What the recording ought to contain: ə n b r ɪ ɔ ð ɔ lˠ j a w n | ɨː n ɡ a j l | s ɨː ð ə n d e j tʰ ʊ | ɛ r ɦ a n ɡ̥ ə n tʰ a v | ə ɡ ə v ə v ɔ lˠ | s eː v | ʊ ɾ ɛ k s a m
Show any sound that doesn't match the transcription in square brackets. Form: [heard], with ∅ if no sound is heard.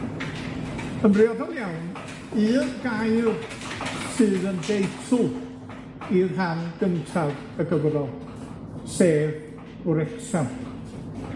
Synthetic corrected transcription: ə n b r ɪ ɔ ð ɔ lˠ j a w n | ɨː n ɡ a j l | s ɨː ð ə n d e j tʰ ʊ | [i] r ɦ a n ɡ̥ ə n tʰ a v | ə ɡ ə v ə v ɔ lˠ | s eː v | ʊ ɾ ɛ k s a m